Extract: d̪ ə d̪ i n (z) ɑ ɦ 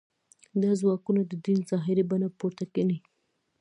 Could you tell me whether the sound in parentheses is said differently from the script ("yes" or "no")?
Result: no